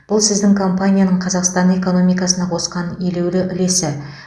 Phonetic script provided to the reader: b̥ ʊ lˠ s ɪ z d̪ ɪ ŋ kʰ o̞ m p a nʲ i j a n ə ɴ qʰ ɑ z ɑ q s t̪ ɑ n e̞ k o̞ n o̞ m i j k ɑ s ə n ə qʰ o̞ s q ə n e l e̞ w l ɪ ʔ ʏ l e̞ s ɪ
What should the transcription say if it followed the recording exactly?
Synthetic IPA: b̥ ʊ lˠ s ɪ z d̪ ɪ ŋ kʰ o̞ m p a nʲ i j a n ə ɴ qʰ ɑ z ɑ q s t̪ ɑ n e̞ k o̞ n o̞ m i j k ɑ s ə n ɑ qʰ o̞ s q ɑ n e l e̞ w l ɪ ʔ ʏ l e̞ s ɪ